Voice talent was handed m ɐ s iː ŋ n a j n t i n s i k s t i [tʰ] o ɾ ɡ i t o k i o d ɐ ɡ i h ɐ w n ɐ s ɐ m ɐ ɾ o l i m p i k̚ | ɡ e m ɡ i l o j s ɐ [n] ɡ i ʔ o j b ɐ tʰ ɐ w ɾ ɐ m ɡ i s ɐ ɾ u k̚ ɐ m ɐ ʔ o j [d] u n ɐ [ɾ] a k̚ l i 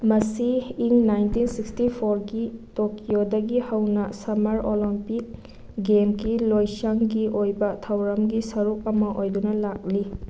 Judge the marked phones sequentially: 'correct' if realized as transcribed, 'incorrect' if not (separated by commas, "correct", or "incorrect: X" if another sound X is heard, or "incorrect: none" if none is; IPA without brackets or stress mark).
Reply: incorrect: pʰ, incorrect: ŋ, correct, incorrect: l